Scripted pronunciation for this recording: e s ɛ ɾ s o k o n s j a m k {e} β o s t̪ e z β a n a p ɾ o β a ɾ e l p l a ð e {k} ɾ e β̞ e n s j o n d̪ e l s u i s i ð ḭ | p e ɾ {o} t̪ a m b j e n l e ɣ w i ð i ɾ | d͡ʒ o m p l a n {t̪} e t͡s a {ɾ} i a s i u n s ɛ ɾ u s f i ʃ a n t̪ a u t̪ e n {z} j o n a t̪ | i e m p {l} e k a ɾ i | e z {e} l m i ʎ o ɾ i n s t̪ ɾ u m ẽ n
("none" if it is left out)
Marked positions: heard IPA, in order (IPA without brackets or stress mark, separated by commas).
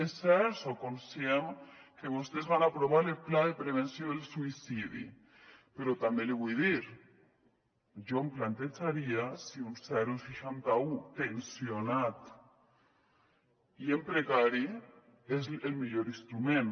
e, p, o, t̪, ɾ, s, ɾ, e